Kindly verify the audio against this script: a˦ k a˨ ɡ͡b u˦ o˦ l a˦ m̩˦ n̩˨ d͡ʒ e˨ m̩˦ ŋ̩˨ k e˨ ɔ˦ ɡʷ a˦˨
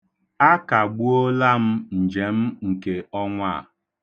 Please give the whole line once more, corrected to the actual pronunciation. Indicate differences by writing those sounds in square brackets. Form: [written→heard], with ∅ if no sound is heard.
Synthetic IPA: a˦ k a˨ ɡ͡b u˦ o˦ l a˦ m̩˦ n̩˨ d͡ʒ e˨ m̩˦ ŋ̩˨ k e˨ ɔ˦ [ɡʷ→ŋʷ] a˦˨